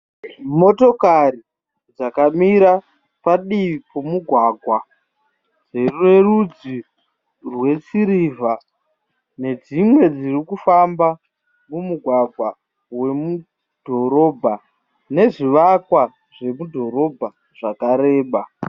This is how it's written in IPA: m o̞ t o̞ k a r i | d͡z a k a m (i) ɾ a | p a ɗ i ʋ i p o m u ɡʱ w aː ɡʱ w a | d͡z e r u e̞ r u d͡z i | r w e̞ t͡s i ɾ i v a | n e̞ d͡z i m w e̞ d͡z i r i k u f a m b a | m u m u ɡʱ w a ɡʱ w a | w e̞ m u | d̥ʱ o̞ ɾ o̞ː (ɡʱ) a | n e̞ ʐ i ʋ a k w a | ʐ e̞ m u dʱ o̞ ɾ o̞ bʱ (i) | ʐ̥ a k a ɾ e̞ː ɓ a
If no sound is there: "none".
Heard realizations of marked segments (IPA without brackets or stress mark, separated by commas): i, bʱ, a